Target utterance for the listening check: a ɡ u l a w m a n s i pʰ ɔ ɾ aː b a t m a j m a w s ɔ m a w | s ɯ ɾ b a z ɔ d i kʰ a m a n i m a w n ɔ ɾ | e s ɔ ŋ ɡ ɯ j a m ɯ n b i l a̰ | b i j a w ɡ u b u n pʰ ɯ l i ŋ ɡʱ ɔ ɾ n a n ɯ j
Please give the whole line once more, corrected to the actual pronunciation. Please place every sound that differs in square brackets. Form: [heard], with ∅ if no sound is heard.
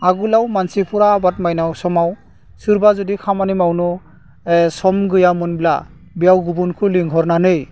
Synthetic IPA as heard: a ɡ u l a w m a n s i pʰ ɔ ɾ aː b a t m a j [n] a w s ɔ m a w | s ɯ ɾ b a z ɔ d i kʰ a m a n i m a w n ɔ [∅] | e s ɔ [m] ɡ ɯ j a m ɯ n b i l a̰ | b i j a w ɡ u b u n [kʰ] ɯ l i ŋ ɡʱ ɔ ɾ n a n ɯ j